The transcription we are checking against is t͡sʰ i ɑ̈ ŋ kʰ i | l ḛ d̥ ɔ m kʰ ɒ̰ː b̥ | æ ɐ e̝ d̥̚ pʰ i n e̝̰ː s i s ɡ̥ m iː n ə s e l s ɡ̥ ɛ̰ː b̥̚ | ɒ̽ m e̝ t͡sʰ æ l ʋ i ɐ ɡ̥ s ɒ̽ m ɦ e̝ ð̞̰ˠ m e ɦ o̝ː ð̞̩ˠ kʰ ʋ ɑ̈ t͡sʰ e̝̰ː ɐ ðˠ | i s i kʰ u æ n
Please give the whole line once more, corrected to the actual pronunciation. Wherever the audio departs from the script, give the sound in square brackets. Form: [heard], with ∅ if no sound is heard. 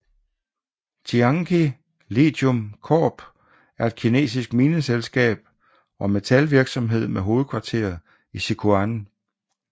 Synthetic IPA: t͡sʰ i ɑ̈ ŋ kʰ i | l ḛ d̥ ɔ m kʰ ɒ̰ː b̥ | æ ɐ e̝ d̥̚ [kʰ] i n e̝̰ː s i s ɡ̥ m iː n ə s e l s ɡ̥ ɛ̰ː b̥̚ | ɒ̽ m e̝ t͡sʰ æ l ʋ i ɐ ɡ̥ s ɒ̽ m ɦ e̝ ð̞̰ˠ m e ɦ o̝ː ð̞̩ˠ kʰ ʋ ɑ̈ t͡sʰ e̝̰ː ɐ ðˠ | i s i kʰ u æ n